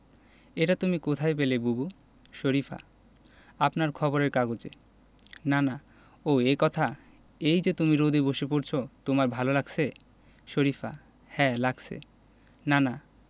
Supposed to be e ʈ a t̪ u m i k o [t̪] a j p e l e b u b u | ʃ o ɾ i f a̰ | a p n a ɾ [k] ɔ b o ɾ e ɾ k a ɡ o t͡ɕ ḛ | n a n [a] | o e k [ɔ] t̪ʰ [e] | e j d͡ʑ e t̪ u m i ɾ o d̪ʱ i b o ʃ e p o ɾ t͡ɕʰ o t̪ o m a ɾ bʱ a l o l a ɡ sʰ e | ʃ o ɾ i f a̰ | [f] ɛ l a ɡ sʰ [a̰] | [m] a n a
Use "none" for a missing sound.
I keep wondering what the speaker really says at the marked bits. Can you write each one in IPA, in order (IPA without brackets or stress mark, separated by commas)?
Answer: t̪ʰ, kʰ, a, ɔ, a, h, ḛ, n